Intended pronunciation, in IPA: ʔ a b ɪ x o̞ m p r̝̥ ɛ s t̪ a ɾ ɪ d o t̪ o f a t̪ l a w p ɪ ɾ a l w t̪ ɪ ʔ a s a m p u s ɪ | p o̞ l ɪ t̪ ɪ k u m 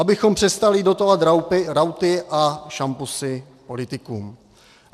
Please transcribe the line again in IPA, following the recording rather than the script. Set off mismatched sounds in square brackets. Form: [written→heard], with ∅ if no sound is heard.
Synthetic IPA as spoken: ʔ a b ɪ x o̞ m p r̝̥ ɛ s t̪ a [ɾ→l] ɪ d o t̪ o [f→v] a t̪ [l→ɾ] a w p ɪ ɾ a [l→∅] w t̪ ɪ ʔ a [s→ʃ] a m p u s ɪ | p o̞ l ɪ t̪ ɪ k [u→uː] m

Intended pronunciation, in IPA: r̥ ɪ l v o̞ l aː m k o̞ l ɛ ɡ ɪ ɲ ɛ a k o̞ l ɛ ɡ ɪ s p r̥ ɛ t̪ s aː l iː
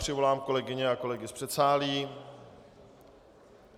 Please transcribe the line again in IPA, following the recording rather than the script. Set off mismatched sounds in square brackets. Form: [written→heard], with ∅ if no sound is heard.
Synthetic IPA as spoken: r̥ ɪ [l→∅] v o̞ l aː m k o̞ l ɛ ɡ ɪ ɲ ɛ a k o̞ l ɛ ɡ ɪ s p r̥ ɛ t̪ s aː l iː

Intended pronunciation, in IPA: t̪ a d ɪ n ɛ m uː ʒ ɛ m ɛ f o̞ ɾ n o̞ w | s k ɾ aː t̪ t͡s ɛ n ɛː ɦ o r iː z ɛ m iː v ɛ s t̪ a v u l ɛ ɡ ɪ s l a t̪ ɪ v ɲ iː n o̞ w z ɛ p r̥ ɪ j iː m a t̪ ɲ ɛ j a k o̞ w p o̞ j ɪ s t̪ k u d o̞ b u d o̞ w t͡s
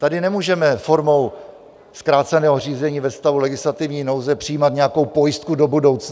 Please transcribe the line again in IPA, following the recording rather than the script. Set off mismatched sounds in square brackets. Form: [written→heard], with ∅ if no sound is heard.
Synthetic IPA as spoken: t̪ a d ɪ n ɛ m uː ʒ ɛ m ɛ f o̞ ɾ [n→m] o̞ w | s k ɾ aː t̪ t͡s ɛ n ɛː ɦ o r iː z ɛ [m→ɲ] iː v ɛ s t̪ a v u l ɛ ɡ ɪ s l a t̪ ɪ v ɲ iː n o̞ w z ɛ p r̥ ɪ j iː m a t̪ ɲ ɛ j a k o̞ w p o̞ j ɪ s t̪ k u d o̞ b u d o̞ w t͡s

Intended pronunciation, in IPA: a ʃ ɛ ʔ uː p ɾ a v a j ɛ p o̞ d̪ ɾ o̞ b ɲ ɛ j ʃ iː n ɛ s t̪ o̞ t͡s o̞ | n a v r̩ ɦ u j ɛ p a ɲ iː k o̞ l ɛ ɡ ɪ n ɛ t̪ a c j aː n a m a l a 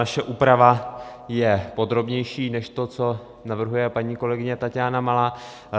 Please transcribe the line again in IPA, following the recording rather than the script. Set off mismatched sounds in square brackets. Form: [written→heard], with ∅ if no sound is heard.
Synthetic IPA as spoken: a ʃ ɛ ʔ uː p ɾ a v a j ɛ p o̞ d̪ ɾ o̞ b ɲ ɛ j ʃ iː n ɛ [s→ʃ] t̪ o̞ t͡s o̞ | n a v r̩ ɦ u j ɛ p a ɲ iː k o̞ l ɛ ɡ ɪ [n→ɲ] ɛ t̪ a c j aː n a m a l a

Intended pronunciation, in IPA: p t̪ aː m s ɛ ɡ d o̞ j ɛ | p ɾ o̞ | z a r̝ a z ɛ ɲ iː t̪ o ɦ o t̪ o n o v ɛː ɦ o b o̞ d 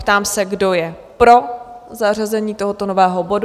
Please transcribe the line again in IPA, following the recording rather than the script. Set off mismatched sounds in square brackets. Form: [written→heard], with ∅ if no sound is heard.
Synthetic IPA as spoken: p t̪ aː m s ɛ ɡ d o̞ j ɛ | p ɾ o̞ | z a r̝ a z ɛ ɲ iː t̪ o ɦ o t̪ o n o v ɛː ɦ o b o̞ d

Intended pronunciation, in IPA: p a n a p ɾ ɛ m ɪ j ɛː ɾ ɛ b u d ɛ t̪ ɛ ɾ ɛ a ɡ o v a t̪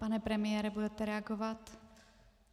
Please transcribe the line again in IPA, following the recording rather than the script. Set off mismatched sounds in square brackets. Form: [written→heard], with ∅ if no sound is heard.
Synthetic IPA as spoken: p a n [a→ɛ] p ɾ ɛ m ɪ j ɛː ɾ ɛ b u d ɛ t̪ ɛ ɾ ɛ a ɡ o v a t̪

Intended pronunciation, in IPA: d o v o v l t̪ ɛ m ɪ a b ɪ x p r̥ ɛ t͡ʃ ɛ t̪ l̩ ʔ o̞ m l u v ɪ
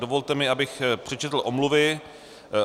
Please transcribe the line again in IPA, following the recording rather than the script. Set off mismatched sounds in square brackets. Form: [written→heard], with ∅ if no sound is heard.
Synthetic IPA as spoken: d o v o [v→∅] l t̪ ɛ m ɪ a b ɪ x p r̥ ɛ t͡ʃ ɛ t̪ l̩ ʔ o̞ m l u v ɪ

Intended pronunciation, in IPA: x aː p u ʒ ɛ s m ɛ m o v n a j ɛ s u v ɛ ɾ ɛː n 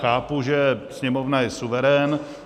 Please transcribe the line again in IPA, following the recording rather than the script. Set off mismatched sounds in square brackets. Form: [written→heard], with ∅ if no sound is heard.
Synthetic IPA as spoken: x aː p u ʒ ɛ s [m→ɲ] ɛ m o v n a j ɛ s u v ɛ ɾ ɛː n

